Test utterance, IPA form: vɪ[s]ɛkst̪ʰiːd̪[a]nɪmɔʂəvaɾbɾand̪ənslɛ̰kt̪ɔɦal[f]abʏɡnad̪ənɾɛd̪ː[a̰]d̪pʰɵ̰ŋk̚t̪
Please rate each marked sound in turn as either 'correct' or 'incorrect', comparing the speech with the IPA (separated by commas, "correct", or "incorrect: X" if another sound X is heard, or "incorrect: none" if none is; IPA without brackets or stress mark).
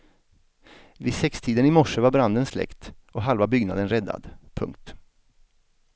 correct, incorrect: ə, incorrect: v, correct